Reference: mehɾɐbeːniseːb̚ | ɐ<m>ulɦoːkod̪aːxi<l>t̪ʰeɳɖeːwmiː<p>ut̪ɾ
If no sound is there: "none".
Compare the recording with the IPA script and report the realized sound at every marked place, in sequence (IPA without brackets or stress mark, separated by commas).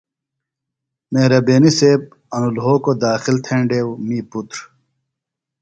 n, l, p